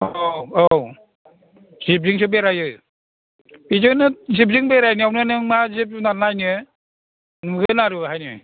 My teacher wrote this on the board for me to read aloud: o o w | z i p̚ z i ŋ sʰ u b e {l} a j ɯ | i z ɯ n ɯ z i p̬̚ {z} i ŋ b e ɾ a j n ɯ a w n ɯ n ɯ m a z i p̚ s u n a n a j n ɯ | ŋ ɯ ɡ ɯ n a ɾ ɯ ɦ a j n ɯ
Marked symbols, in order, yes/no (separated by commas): no, yes